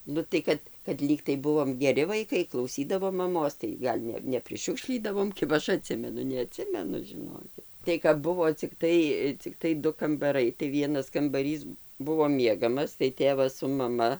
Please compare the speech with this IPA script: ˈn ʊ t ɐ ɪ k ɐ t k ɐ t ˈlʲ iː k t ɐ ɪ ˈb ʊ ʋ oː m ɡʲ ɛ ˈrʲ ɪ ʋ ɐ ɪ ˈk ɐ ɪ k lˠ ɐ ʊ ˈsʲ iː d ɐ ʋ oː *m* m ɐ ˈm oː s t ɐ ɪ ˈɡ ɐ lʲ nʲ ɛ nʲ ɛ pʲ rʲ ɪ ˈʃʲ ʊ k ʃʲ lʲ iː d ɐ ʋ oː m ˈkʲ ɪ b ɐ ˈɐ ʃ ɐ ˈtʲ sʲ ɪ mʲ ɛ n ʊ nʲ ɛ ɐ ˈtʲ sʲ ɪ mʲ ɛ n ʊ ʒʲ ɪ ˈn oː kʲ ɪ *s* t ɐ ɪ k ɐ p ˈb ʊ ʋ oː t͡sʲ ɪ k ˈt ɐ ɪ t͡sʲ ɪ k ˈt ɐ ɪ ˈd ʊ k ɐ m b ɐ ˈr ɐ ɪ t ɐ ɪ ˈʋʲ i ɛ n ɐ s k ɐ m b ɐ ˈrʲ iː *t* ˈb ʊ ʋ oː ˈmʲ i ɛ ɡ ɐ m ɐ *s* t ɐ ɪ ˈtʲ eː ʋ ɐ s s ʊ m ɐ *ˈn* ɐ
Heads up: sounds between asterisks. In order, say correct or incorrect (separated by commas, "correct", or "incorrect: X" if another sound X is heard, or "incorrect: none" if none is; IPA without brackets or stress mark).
correct, incorrect: t, incorrect: s, correct, incorrect: m